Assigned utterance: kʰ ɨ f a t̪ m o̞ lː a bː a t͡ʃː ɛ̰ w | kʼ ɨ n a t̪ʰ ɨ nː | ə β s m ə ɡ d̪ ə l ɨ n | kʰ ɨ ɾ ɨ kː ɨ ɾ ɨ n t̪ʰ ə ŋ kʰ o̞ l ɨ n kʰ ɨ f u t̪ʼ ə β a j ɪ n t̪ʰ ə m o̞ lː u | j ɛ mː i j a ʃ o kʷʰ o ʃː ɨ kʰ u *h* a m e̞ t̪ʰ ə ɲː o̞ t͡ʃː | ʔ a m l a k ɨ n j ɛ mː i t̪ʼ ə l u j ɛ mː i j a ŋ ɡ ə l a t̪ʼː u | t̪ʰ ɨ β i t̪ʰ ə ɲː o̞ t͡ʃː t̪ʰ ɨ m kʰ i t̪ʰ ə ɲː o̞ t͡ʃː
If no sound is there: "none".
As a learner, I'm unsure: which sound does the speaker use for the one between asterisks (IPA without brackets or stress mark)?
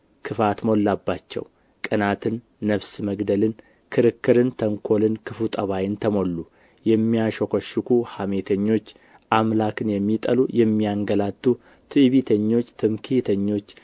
h